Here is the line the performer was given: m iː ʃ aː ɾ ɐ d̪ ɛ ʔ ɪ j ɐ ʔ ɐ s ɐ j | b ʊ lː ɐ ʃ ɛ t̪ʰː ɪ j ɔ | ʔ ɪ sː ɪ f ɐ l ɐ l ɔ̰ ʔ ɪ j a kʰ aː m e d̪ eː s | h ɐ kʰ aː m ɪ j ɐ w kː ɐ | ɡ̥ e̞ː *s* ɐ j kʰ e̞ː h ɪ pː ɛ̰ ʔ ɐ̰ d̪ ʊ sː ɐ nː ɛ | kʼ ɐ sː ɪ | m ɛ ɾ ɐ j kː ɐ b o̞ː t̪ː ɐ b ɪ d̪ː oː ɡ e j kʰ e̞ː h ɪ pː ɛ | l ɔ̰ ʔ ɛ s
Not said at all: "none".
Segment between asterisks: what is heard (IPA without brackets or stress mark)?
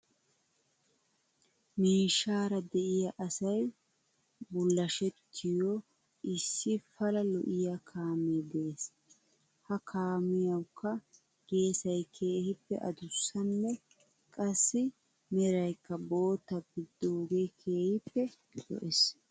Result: s